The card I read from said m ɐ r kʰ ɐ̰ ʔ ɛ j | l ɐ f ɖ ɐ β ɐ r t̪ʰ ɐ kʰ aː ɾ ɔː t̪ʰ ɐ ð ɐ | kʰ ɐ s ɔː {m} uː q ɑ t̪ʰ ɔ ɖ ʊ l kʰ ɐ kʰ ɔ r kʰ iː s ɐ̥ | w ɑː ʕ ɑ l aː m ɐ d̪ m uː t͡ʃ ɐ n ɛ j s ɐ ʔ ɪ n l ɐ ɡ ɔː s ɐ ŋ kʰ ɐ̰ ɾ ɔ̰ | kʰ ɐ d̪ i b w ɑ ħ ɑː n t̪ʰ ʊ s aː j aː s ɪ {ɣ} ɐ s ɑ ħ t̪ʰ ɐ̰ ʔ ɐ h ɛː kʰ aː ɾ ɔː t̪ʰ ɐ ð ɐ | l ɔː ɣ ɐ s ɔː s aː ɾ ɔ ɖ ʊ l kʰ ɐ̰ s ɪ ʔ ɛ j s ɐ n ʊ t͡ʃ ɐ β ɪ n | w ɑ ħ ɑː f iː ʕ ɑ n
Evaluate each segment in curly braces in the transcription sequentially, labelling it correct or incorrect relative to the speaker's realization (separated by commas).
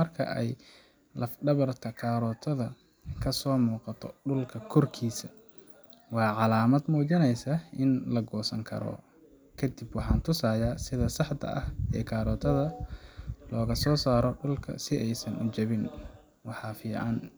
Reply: correct, incorrect